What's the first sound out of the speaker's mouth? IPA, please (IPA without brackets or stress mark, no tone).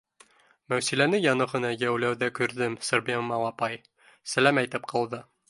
m